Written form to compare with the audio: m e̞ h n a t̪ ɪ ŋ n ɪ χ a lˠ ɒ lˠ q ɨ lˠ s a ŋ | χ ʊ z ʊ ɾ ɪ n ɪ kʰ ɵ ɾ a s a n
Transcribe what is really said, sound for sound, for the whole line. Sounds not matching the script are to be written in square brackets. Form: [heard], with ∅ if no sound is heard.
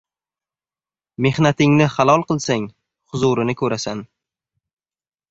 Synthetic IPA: m e̞ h n a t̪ ɪ ŋ n ɪ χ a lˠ ɒ lˠ q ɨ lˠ s a ŋ | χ ʊ z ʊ ɾ ɪ n ɪ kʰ ɵ ɾ a s a n